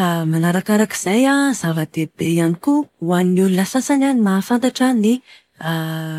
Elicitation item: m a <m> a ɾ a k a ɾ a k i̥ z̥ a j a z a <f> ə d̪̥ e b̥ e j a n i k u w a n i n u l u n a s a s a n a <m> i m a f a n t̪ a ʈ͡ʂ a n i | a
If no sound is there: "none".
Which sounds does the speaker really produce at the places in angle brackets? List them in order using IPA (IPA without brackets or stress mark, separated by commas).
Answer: n, v, n